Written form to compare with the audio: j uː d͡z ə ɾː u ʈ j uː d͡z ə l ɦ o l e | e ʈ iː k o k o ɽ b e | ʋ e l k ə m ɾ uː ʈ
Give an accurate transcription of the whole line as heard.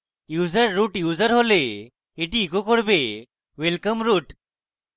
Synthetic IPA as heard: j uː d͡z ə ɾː u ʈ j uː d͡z ə ɾ ɦ o l e | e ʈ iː k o k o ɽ b e | ʋ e l k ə m ɾ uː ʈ